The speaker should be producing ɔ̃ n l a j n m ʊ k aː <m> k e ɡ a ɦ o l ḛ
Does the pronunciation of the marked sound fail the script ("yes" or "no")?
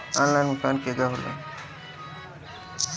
yes